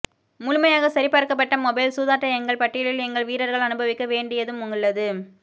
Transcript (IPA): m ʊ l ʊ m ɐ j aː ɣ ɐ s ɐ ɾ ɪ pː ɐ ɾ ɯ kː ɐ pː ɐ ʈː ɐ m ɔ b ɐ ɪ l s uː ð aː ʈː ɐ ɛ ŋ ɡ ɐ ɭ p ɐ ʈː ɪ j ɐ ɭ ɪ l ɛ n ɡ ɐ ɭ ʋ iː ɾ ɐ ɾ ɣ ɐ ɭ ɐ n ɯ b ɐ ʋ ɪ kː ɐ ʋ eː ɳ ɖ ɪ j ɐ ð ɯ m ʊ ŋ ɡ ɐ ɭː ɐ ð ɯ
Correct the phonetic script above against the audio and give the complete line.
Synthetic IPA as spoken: m ʊ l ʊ m ɐ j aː ɣ ɐ s ɐ ɾ ɪ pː ɐ ɾ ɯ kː ɐ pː ɐ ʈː ɐ m ɔ b ɐ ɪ l s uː ð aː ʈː ɐ ɛ ŋ ɡ ɐ ɭ p ɐ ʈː ɪ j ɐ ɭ ɪ l ɛ ŋ ɡ ɐ ɭ ʋ iː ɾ ɐ ɾ ɣ ɐ ɭ ɐ n ɯ b ɐ ʋ ɪ kː ɐ ʋ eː ɳ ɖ ɪ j ɐ ð ɯ m ʊ ŋ ɡ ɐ ɭː ɐ ð ɯ